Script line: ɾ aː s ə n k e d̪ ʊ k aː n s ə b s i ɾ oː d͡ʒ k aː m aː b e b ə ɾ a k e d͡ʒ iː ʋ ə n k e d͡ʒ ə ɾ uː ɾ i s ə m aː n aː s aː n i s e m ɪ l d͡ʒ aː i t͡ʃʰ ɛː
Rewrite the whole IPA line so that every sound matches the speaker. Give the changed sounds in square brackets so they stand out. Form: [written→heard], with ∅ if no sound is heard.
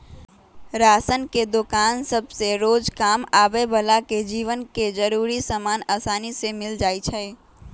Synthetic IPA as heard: ɾ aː s ə n k e d̪ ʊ k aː n s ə b s [i→e] ɾ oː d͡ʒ k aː m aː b e b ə [ɾ→l] a k e d͡ʒ iː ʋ ə n k e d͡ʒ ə ɾ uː ɾ i s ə m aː n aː s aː n i s e m ɪ l d͡ʒ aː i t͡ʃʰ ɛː